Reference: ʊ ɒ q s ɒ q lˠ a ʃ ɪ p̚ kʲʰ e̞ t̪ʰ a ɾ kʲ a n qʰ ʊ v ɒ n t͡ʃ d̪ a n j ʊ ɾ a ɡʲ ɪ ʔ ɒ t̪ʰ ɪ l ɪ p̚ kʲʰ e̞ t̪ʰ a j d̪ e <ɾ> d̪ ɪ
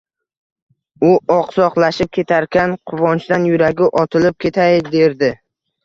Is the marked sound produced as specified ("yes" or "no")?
yes